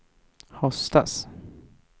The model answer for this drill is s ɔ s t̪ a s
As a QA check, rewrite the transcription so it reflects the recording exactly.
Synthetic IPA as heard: h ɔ s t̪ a s